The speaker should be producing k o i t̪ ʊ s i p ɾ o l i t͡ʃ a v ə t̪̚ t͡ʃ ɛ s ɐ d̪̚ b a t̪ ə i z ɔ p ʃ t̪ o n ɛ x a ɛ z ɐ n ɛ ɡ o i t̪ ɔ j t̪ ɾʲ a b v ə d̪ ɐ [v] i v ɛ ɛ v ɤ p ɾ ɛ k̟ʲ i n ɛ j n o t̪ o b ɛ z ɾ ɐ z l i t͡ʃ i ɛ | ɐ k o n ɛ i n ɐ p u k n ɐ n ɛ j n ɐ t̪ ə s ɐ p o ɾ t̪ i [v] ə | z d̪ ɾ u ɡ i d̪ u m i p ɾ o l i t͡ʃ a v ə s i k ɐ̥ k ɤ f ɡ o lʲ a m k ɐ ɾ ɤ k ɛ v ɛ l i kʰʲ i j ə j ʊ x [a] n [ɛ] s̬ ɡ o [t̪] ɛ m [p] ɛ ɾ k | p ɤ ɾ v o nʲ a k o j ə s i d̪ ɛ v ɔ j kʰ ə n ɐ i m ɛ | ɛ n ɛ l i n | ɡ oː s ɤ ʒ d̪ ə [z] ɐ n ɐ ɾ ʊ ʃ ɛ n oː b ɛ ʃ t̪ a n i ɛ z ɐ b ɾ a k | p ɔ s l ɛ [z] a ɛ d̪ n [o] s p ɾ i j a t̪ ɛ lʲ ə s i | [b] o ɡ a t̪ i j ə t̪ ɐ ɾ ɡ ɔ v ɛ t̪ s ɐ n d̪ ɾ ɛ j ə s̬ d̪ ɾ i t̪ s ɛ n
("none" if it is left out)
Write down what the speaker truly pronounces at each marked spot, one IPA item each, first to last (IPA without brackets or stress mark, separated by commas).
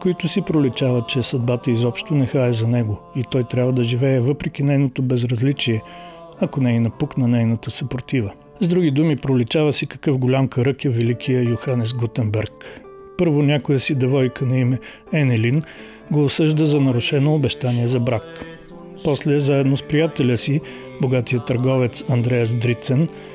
ʒ, v, a, ɛ, t̪, b, z, z, o, b